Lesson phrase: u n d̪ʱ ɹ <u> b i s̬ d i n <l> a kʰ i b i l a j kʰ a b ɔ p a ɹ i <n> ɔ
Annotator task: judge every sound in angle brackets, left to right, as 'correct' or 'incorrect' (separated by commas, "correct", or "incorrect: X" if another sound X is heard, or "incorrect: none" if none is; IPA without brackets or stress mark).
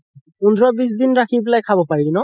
incorrect: ɔ, incorrect: ɹ, correct